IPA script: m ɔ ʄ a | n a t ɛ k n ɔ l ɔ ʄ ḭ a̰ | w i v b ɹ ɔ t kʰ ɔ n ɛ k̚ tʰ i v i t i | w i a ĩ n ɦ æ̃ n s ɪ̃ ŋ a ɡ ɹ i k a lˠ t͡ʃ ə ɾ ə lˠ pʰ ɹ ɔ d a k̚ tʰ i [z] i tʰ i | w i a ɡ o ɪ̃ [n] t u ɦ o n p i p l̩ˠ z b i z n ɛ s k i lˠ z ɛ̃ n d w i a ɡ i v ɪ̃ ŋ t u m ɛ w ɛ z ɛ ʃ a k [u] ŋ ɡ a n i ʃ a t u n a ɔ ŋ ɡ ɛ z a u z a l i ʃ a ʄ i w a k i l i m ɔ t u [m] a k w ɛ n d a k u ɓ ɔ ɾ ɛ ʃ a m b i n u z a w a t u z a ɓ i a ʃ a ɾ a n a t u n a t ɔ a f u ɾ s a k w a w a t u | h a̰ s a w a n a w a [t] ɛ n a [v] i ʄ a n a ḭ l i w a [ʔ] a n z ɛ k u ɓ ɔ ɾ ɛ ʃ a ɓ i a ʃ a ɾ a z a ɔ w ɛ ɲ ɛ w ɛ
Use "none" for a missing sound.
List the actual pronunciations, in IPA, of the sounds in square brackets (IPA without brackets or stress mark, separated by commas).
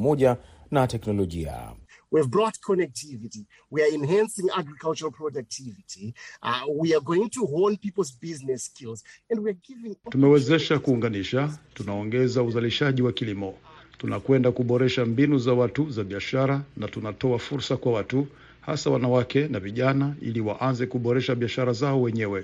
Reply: v, ŋ, uː, n, k, v, ʔ